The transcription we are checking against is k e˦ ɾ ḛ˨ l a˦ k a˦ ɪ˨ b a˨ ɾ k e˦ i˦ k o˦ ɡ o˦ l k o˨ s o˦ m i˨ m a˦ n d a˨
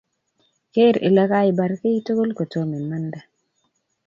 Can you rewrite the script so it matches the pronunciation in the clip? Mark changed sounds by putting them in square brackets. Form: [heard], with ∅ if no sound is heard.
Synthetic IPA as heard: k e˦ ɾ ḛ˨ l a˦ k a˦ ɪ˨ b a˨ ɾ k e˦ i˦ [t] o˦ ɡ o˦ l k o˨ [t] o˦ m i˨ m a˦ n d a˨